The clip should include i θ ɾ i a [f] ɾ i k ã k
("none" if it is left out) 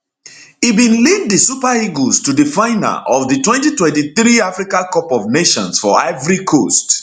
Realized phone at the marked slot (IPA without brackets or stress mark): f